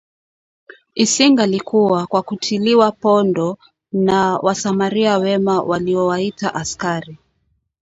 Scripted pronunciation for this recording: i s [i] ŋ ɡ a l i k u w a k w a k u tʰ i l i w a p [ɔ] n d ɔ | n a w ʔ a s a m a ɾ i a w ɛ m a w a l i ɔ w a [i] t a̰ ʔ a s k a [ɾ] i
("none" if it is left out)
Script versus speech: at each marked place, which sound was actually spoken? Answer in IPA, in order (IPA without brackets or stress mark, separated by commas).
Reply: i, ɔ, i, ɾ